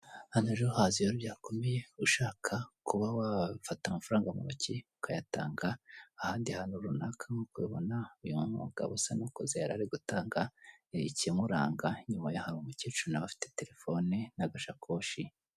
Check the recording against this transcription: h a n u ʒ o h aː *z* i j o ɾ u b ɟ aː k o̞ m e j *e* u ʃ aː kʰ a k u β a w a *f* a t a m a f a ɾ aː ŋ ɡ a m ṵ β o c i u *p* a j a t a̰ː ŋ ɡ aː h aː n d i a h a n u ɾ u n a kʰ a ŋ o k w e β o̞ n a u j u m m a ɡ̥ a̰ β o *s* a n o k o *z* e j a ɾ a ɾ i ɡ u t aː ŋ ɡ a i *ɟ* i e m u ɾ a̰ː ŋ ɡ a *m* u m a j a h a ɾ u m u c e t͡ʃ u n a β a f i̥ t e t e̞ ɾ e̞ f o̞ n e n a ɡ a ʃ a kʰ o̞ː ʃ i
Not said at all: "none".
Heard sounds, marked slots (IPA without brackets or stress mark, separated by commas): z, e, f, k, s, z, c, ɲ